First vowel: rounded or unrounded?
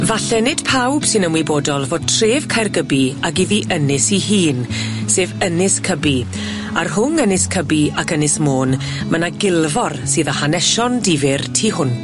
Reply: unrounded